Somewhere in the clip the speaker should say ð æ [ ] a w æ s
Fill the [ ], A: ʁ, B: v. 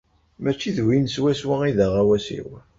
A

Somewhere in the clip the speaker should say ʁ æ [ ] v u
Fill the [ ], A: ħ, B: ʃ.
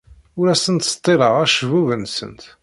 B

